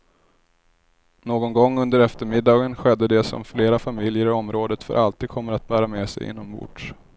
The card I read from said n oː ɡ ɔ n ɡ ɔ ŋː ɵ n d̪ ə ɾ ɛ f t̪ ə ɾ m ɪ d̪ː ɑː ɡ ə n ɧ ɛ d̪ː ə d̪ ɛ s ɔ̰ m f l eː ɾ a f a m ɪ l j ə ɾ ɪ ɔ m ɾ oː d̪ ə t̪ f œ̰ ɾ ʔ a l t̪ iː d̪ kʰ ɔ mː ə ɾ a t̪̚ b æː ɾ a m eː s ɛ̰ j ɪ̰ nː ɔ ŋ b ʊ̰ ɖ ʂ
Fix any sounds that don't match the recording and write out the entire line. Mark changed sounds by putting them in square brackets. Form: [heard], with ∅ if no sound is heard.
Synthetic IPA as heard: n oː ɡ ɔ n ɡ ɔ ŋː ɵ n d̪ ə ɾ ɛ f t̪ ə ɾ m ɪ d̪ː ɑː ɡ ə n ɧ ɛ d̪ː ə d̪ ɛ s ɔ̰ m f l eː ɾ a f a m ɪ l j ə ɾ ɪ ɔ m ɾ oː d̪ ə t̪ f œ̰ ɾ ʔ a l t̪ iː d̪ kʰ ɔ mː ə ɾ a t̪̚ b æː ɾ a m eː s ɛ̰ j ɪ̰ nː ɔ [m] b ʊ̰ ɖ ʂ